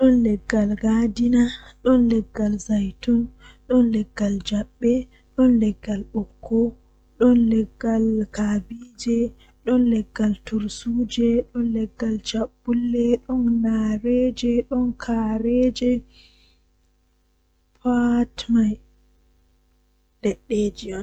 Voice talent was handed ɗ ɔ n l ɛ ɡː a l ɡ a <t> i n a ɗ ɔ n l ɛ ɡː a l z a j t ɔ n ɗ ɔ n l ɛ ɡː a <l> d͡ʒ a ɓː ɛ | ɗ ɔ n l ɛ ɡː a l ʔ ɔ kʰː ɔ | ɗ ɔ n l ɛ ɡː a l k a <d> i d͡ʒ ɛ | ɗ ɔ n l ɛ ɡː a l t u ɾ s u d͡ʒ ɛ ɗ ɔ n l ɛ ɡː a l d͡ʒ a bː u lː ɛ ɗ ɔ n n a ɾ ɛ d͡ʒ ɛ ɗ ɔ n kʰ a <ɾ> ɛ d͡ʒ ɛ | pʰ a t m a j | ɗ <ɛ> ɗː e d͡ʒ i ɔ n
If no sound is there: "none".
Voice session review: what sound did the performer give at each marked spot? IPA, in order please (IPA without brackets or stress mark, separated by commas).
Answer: d, l, b, ɾ, ɛ